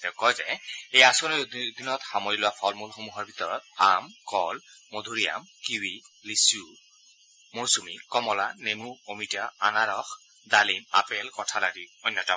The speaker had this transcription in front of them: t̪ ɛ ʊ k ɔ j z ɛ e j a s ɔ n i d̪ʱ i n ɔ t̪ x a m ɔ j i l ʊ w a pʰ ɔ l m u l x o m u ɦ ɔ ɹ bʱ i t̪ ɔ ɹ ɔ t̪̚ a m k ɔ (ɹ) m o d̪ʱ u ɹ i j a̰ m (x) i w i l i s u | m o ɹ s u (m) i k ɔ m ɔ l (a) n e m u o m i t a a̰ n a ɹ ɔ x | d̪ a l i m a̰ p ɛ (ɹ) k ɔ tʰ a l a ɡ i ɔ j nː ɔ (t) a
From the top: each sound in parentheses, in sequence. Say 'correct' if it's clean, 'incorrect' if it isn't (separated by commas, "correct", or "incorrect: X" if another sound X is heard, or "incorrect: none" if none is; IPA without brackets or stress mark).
incorrect: l, incorrect: k, correct, correct, incorrect: l, correct